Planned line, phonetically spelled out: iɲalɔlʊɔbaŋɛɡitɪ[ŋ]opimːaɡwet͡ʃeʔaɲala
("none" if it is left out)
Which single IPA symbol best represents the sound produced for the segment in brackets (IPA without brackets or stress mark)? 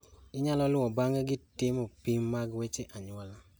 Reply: m